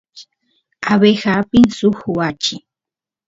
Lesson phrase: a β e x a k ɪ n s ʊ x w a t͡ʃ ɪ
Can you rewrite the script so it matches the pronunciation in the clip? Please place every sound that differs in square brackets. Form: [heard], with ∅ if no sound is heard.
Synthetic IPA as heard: a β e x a [p] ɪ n s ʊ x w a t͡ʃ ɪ